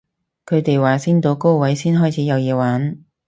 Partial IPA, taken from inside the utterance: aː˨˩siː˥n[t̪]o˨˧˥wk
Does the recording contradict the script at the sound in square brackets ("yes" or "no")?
no